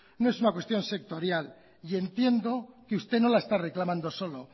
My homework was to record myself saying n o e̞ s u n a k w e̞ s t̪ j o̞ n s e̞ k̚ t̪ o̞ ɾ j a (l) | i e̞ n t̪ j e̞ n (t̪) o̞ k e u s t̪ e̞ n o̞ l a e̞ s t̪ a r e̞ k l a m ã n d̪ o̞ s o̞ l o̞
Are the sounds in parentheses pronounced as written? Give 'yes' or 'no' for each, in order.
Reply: yes, no

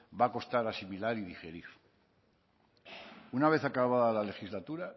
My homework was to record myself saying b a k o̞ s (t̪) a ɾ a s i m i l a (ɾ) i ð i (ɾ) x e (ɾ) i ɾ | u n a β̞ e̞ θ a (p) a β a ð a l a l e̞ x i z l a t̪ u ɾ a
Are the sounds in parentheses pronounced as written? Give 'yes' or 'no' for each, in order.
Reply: yes, yes, no, yes, no

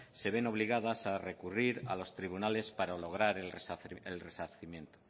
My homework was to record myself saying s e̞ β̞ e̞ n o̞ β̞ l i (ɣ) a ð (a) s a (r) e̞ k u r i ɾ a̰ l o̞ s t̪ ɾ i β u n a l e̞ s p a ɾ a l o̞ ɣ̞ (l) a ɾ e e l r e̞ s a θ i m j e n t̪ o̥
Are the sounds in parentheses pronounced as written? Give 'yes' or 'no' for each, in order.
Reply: yes, yes, yes, no

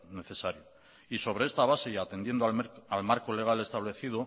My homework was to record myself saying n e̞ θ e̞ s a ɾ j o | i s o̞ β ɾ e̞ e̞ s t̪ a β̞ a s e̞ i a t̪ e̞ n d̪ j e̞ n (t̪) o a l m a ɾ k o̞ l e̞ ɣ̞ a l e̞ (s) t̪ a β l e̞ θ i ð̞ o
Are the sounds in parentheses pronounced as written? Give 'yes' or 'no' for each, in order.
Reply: no, yes

